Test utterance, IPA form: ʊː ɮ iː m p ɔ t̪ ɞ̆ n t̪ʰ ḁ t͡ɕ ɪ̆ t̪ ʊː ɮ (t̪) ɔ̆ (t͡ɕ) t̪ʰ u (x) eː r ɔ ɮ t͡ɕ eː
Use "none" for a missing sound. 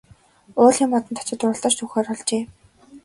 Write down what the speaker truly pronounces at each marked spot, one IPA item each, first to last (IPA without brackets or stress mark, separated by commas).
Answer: t̪, t͡ɕ, x